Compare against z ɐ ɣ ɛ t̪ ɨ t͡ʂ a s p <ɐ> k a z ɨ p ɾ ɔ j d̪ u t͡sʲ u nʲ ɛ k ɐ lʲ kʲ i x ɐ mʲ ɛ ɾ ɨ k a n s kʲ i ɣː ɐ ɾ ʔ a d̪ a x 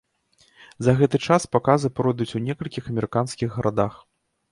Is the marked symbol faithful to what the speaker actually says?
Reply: no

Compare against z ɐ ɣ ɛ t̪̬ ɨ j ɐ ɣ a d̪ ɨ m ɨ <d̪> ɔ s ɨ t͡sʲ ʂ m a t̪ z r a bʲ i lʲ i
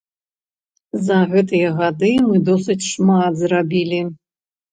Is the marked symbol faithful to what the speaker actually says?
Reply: yes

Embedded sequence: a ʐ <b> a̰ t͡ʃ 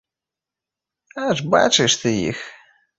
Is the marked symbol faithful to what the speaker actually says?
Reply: yes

